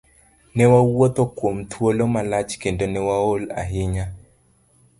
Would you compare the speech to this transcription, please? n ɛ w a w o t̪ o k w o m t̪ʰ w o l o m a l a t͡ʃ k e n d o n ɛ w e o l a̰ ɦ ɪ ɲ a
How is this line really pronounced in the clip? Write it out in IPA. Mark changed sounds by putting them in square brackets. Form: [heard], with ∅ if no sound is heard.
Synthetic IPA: n ɛ w a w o t̪ o k w o m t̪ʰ w o l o m a l a t͡ʃ k e n d o n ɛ w [a] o l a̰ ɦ ɪ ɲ a